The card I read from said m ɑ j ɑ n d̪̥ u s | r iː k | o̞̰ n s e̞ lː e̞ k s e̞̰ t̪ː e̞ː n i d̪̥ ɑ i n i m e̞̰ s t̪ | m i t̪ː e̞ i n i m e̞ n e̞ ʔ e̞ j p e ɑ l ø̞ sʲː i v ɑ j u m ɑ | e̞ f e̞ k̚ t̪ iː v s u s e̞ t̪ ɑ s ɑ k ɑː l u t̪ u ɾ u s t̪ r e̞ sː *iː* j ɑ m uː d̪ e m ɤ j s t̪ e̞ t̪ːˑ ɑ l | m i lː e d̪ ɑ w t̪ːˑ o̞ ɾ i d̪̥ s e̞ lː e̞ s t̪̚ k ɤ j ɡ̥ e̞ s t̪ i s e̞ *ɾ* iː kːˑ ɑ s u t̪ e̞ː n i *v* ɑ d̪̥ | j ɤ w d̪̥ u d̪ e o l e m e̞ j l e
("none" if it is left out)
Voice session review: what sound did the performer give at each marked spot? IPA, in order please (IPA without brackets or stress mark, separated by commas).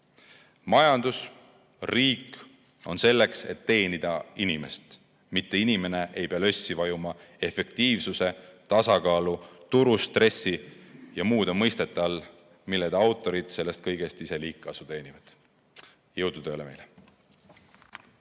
i, l, v